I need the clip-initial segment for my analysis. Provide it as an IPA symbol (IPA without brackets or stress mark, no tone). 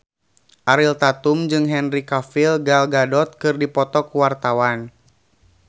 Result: ʔ